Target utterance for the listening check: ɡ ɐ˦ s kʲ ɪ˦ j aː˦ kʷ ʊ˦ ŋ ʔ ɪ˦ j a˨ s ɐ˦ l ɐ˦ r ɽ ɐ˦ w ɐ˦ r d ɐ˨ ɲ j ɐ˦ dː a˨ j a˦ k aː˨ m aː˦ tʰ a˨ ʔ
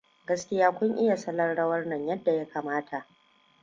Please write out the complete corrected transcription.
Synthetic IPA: ɡ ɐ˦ s kʲ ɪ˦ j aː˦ kʷ ʊ˦ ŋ ʔ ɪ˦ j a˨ s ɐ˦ l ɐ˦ r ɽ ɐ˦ w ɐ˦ r n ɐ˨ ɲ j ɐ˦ dː a˨ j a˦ k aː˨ m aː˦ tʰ a˨ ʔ

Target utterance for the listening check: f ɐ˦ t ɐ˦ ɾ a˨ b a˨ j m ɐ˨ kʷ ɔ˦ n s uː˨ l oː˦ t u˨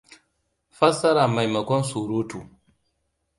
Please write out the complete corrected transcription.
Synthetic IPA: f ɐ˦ s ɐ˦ ɾ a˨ m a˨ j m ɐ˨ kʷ ɔ˦ n s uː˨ ɾ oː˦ t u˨

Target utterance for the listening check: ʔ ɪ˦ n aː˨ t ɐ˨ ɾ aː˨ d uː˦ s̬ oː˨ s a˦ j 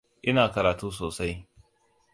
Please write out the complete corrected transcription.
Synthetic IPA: ʔ ɪ˦ n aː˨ k ɐ˨ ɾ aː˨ t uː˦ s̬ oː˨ s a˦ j

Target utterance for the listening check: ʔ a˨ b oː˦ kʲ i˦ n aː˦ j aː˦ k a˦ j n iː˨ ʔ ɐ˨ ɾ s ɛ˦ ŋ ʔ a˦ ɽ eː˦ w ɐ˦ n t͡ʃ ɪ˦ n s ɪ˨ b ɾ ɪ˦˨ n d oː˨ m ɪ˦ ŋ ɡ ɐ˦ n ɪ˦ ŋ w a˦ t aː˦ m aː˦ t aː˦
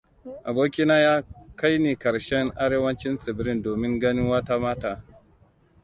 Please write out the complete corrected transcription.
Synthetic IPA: ʔ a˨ b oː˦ kʲ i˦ n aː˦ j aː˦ k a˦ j n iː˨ k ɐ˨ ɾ ʃ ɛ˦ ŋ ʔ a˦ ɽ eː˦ w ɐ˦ n t͡ʃ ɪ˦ n s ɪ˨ b ɾ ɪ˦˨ n d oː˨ m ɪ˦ ŋ ɡ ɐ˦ n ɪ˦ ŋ w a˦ t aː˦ m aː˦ t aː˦

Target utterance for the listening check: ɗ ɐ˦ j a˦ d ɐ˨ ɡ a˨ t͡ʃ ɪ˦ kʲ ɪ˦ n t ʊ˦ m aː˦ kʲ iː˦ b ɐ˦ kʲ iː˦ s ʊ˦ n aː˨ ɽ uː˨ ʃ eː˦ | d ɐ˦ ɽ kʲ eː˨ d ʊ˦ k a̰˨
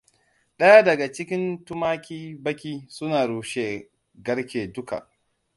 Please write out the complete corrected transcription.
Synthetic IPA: ɗ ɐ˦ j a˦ d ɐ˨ ɡ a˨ t͡ʃ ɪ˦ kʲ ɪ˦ n t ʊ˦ m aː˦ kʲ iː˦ b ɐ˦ kʲ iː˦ s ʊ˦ n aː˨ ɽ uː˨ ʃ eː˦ | ɡ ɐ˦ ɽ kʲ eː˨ d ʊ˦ k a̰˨

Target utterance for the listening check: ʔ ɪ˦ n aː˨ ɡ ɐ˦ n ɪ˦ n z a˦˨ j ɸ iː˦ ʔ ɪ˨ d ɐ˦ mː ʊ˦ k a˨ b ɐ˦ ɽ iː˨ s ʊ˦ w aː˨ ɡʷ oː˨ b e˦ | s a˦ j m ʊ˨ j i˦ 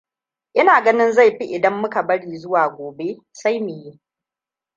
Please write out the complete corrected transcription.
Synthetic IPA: ʔ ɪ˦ n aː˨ ɡ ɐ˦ n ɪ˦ n z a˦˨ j ɸ i˦ ʔ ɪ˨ d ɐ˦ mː ʊ˦ k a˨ b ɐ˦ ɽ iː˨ z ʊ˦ w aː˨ ɡʷ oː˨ b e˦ | s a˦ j m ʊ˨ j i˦

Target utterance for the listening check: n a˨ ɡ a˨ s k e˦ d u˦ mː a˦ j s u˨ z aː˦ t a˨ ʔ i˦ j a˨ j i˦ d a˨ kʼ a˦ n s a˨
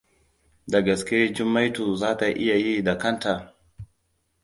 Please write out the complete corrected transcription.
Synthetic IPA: d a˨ ɡ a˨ s k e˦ d͡ʒ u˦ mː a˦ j t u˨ z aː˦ t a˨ ʔ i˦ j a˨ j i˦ d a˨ k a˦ n t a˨

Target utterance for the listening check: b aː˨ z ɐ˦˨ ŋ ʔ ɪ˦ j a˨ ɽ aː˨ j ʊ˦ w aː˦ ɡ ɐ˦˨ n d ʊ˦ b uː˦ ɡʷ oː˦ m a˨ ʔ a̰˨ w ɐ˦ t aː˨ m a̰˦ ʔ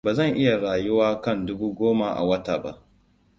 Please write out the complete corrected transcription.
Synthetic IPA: b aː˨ z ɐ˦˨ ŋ ʔ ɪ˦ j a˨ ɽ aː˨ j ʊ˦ w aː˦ k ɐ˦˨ n d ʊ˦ b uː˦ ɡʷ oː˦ m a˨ ʔ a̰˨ w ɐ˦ t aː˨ b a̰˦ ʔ

